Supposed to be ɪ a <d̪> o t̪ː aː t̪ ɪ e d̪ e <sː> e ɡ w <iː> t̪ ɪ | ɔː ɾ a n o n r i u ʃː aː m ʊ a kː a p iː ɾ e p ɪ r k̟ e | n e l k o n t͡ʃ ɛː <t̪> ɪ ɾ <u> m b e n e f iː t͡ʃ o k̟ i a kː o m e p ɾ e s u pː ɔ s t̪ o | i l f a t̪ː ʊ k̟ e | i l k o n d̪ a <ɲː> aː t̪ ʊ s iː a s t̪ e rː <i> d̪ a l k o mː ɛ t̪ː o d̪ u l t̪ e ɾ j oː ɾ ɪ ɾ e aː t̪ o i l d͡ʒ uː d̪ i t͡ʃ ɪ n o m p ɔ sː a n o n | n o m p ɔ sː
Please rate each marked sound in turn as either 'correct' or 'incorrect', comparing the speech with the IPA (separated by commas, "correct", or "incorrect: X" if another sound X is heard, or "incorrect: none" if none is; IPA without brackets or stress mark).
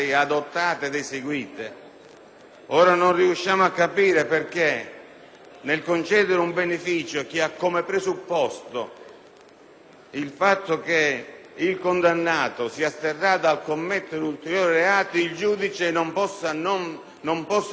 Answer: correct, incorrect: s, correct, incorrect: d̪, correct, incorrect: nː, incorrect: a